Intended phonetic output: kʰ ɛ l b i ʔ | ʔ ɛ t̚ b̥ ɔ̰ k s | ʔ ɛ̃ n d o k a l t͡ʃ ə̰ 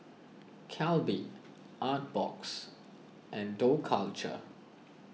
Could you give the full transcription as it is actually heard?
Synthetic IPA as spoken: kʰ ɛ l b i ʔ | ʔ a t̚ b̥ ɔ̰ k s | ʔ ɛ̃ n d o kʰ a l t͡ʃ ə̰

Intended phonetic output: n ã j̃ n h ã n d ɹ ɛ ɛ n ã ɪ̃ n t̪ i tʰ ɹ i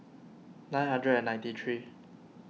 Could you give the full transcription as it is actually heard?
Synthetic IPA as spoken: n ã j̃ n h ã n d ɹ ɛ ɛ n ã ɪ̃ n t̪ i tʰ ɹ i

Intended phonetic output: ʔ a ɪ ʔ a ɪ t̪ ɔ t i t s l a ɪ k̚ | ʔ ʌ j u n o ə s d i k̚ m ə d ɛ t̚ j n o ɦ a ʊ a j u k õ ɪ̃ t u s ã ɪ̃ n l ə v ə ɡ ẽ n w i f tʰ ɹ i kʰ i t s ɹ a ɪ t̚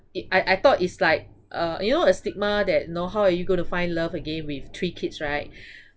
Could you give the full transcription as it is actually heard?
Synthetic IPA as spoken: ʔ a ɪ ʔ a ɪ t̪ ɔ t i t s l a ɪ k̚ | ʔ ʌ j u n o ə s t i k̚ m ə d ɛ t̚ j n o ɦ a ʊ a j u ɡ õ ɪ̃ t u f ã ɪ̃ n l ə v ə ɡ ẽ n w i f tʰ ɹ i kʰ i t s ɹ a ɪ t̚

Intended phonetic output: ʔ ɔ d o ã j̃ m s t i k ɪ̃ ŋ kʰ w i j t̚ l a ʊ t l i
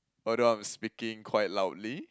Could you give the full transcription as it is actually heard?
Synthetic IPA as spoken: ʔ ɔ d o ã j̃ m s p i k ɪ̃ ŋ kʰ w a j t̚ l a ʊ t l i

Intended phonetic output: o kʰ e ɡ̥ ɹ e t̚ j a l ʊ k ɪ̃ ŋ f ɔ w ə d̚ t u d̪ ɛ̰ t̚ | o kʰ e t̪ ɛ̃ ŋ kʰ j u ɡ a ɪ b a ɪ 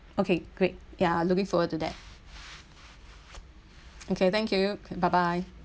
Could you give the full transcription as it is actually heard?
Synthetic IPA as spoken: o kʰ e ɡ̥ ɹ e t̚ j a l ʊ k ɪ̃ ŋ f ɔ w ə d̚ t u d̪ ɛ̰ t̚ | o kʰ e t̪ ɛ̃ ŋ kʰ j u b a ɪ b a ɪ

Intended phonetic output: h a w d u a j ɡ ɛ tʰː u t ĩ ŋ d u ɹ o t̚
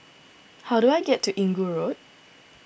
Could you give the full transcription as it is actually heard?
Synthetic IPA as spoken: h a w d u a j ɡ ɛ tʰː u ʔ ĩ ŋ ɡ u ɹ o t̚

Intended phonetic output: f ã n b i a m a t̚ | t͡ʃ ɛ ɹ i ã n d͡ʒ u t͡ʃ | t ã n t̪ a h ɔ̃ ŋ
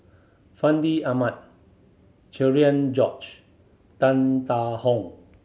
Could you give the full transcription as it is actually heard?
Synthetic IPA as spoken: f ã n d i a m a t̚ | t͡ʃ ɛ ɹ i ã n d͡ʒ ɔ t͡ʃ | t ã n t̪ a h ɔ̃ ŋ

